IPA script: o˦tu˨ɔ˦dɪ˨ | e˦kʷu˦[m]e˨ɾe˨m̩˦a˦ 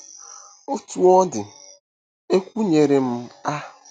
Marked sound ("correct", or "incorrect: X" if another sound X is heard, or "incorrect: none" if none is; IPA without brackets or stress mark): incorrect: ɲ